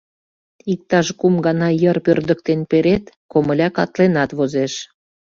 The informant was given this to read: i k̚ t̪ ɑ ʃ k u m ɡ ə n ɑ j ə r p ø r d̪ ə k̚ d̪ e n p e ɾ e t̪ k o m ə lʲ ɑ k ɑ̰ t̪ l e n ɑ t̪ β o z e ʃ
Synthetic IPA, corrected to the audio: i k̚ t̪ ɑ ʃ k u m ɡ ɑ n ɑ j ə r p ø r d̪ ə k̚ t̪ e n p e ɾ e t̪ k o m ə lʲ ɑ k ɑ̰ t̪ l e n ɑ t̪ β o z e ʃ